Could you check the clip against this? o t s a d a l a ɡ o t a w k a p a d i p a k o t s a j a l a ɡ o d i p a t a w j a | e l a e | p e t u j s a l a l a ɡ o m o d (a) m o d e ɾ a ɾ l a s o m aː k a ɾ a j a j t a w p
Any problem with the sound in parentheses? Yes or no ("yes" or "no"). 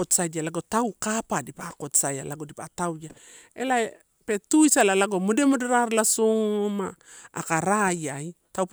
yes